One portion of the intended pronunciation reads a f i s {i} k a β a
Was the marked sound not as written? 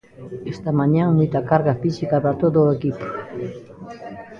no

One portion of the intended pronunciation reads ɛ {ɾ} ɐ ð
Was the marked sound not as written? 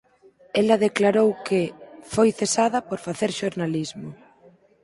yes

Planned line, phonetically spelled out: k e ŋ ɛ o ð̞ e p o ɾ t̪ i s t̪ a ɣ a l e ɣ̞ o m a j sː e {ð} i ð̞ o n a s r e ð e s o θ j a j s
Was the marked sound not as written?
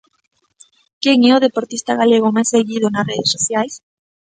yes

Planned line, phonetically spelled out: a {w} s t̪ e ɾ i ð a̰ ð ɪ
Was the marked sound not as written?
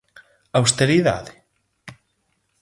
no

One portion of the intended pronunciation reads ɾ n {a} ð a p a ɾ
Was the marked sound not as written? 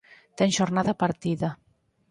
no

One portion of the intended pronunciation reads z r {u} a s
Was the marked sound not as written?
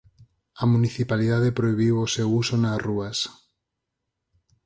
no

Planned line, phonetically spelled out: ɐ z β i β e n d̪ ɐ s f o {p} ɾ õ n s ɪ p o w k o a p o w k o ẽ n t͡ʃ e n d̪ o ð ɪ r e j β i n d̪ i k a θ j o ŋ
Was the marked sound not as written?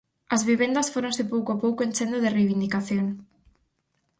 yes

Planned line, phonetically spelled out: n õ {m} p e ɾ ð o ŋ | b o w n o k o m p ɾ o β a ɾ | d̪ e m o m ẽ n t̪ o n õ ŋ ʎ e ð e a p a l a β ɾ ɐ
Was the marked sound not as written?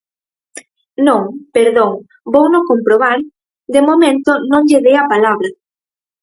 yes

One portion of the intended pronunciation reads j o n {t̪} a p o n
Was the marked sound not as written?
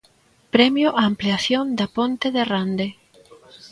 yes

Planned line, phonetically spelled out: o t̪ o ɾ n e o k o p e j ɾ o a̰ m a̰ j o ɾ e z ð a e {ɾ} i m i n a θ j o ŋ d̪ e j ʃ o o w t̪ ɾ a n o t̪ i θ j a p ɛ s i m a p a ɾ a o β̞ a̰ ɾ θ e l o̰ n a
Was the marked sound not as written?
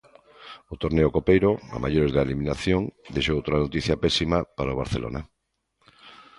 yes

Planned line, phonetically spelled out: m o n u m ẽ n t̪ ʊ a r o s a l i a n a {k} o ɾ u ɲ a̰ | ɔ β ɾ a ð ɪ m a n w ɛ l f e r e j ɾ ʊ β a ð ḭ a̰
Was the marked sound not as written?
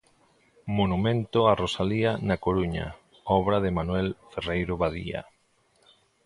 no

